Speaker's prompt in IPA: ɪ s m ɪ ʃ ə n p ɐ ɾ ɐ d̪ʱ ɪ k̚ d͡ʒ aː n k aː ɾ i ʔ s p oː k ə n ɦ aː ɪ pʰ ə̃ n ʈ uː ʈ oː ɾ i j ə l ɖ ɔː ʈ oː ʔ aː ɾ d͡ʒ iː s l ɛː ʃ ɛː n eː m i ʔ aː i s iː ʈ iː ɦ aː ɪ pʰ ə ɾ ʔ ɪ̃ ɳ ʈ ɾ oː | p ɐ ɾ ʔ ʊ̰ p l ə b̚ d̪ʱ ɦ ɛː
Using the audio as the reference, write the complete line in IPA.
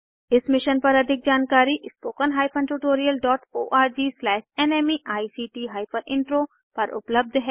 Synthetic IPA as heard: ɪ s m ɪ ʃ ə n p ɐ ɾ ɐ d̪ʱ ɪ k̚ d͡ʒ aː n k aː ɾ i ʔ s p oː k ə n ɦ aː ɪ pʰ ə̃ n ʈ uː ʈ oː ɾ i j ə l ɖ ɔː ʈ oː ʔ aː ɾ d͡ʒ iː s l ɛː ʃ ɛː n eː m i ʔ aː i s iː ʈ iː ɦ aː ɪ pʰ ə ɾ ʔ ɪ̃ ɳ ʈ ɾ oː | p ɐ ɾ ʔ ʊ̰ p l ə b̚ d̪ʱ ɦ ɛː